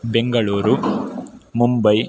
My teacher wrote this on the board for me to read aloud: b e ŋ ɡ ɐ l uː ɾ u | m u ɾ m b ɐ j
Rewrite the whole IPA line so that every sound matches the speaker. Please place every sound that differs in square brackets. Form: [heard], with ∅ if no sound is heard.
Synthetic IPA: b e ŋ ɡ ɐ [ɭ] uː ɾ u | m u [∅] m b ɐ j

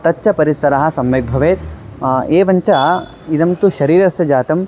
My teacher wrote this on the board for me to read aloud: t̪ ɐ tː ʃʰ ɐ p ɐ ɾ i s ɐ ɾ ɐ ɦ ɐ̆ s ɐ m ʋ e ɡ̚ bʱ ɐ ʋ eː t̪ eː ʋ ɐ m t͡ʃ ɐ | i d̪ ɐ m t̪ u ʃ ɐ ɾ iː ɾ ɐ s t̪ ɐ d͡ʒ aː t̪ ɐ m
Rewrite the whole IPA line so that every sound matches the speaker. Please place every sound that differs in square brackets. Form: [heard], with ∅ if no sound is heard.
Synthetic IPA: t̪ ɐ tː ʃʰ ɐ p ɐ ɾ i s ɐ ɾ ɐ ɦ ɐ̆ s ɐ m ʋ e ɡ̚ bʱ ɐ ʋ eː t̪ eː ʋ ɐ [ɲ] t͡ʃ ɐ | i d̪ ɐ m t̪ u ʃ ɐ ɾ iː ɾ ɐ s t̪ ɐ d͡ʒ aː t̪ ɐ m

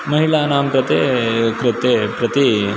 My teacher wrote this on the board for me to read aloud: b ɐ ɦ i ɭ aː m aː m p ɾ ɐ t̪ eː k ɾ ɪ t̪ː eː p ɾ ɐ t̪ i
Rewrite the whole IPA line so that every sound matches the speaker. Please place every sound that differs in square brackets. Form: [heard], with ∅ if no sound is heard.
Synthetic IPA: [m] ɐ ɦ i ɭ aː [n] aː m p ɾ ɐ t̪ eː k ɾ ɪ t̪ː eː p ɾ ɐ t̪ i

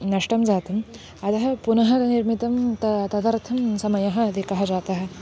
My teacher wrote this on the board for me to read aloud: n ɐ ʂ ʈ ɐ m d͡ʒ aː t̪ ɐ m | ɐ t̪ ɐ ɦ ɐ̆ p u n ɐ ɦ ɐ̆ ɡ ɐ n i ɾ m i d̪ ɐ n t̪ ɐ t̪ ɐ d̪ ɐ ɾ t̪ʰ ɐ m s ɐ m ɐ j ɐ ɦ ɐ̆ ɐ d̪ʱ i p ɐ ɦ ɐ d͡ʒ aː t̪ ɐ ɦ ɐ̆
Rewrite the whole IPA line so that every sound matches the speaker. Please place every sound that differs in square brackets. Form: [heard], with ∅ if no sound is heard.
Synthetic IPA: n ɐ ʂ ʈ ɐ m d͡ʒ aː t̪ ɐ m | ɐ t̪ ɐ ɦ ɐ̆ p u n ɐ ɦ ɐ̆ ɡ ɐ n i ɾ m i [t̪] ɐ [m] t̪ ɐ t̪ ɐ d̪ ɐ ɾ t̪ʰ ɐ m s ɐ m ɐ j ɐ ɦ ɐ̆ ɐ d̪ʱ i [k] ɐ ɦ ɐ d͡ʒ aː t̪ ɐ ɦ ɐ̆

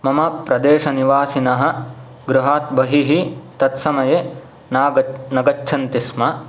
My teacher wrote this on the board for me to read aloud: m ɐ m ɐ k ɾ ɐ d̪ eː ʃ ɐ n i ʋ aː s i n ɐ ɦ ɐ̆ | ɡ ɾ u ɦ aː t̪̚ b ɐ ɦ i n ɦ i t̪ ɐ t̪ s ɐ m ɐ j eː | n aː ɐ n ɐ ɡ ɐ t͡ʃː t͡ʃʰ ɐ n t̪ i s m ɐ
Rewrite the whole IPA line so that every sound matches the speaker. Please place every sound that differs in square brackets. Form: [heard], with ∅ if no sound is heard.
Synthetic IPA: m ɐ m ɐ [p] ɾ ɐ d̪ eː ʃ ɐ n i ʋ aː s i n ɐ ɦ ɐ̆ | ɡ ɾ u ɦ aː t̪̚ b ɐ ɦ i [∅] ɦ i t̪ ɐ t̪ s ɐ m ɐ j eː | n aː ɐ n ɐ ɡ ɐ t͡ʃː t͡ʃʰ ɐ n t̪ i s m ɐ

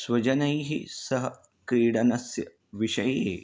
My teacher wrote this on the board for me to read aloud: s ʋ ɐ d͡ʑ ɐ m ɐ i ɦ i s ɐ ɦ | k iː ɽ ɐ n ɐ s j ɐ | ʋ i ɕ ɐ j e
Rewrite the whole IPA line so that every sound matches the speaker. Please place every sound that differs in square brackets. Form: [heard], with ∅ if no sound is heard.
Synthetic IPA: s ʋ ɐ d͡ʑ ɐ [n] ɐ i ɦ i s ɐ ɦ | k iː ɽ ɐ n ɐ s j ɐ | ʋ i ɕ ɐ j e

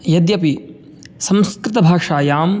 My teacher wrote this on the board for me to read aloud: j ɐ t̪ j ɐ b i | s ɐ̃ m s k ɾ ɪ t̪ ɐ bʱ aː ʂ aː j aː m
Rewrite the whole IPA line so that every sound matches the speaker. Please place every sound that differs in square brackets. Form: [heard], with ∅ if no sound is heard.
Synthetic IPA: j ɐ [d̪] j ɐ [p] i | s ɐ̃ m s k ɾ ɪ t̪ ɐ bʱ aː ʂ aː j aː m

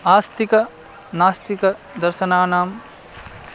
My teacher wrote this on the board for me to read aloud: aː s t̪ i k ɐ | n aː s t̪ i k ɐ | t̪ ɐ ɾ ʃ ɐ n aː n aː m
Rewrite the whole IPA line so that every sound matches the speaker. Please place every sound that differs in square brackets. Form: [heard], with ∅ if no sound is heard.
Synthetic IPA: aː s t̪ i k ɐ | n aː s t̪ i k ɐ | [d̪] ɐ ɾ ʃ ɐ n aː n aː m

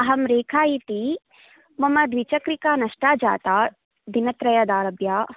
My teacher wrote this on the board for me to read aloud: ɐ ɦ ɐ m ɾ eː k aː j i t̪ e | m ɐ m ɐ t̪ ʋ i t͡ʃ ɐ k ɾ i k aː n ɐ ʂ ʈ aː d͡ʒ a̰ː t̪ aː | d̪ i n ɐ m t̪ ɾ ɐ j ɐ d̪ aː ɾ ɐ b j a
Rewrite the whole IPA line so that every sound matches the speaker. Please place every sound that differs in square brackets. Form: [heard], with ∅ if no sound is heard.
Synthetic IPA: ɐ ɦ ɐ m ɾ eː [kʰ] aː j i t̪ [i] | m ɐ m ɐ [d̪] ʋ i t͡ʃ ɐ k ɾ i k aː n ɐ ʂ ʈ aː d͡ʒ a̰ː t̪ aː | d̪ i n ɐ [∅] t̪ ɾ ɐ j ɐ d̪ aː ɾ ɐ b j a

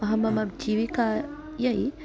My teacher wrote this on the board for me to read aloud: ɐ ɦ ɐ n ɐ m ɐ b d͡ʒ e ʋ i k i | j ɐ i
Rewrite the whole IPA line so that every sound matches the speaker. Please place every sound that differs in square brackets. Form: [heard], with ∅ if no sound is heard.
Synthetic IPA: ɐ ɦ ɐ [m] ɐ m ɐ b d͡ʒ [i] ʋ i k [a] | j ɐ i

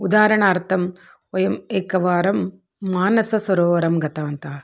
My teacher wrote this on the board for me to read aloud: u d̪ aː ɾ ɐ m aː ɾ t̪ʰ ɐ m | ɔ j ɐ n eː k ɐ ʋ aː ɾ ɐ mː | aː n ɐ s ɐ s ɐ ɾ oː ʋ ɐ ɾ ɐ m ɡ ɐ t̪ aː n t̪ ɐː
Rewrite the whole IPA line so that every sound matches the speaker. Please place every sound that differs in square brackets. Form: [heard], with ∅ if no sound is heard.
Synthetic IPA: u d̪ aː ɾ ɐ [ɳ] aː ɾ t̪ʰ ɐ m | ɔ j ɐ [m] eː k ɐ ʋ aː ɾ ɐ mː | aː n ɐ s ɐ s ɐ ɾ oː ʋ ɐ ɾ ɐ m ɡ ɐ t̪ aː n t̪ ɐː

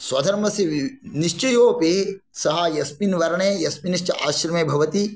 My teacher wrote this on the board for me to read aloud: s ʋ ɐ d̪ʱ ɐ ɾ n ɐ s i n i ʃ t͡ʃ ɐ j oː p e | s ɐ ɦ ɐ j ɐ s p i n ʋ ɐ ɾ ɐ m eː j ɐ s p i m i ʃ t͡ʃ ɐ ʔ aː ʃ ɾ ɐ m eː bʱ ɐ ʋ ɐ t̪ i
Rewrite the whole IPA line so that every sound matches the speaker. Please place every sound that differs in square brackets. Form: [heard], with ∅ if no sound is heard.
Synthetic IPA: s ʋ ɐ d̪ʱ ɐ ɾ [m] ɐ s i n i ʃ t͡ʃ ɐ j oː p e | s ɐ ɦ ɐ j ɐ s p i n ʋ ɐ ɾ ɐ [ɳ] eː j ɐ s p i [n] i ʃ t͡ʃ ɐ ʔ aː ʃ ɾ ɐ m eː bʱ ɐ ʋ ɐ t̪ i

